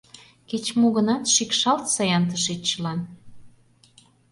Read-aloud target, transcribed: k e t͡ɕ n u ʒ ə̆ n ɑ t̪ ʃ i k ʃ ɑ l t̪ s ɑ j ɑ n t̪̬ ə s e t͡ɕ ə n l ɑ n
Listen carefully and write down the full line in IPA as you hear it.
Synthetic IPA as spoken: k e t͡ɕ m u ɣ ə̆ n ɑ t̪ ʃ i k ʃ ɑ l t̪ s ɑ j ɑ n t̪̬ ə ʃ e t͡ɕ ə l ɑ n